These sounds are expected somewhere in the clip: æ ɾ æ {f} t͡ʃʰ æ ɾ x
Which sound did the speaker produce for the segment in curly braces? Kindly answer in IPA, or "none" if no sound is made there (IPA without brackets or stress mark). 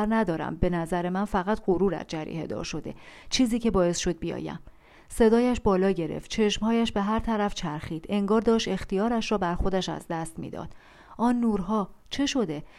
f